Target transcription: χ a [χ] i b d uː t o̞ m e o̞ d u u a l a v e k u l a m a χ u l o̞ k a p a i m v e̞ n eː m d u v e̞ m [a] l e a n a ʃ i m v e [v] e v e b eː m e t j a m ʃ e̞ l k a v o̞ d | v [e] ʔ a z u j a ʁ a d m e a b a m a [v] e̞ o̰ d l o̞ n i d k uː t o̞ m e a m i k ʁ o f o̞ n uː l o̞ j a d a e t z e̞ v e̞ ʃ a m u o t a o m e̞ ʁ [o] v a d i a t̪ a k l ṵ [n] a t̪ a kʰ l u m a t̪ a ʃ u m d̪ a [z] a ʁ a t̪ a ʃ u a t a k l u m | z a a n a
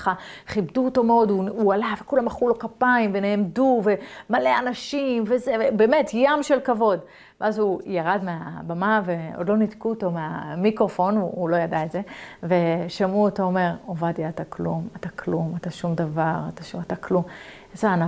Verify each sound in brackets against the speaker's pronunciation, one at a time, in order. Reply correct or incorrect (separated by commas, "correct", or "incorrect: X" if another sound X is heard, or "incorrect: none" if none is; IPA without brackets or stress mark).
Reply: correct, correct, incorrect: z, correct, correct, correct, incorrect: m, incorrect: v